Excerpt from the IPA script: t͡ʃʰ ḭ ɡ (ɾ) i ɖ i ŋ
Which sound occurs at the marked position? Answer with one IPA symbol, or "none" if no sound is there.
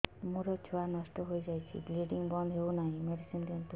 l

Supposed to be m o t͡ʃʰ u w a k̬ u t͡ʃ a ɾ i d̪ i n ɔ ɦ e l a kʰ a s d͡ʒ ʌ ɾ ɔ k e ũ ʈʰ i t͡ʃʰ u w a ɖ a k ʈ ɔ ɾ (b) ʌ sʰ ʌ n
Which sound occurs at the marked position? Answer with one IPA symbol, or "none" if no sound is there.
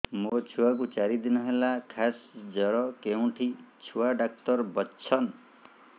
b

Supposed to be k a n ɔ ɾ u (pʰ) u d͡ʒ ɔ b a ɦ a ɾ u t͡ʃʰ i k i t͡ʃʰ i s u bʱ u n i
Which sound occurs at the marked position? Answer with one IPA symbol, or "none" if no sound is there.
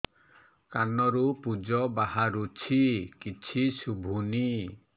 p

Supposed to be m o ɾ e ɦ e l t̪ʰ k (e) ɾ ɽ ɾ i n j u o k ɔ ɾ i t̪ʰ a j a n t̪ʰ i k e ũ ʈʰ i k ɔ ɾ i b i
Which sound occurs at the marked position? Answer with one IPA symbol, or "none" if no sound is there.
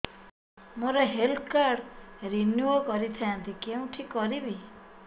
a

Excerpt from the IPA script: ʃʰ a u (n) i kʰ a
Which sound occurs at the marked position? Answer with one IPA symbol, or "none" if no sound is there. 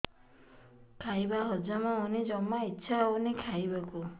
n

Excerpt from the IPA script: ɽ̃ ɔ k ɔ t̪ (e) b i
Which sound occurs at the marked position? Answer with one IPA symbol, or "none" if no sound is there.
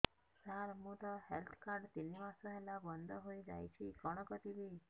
i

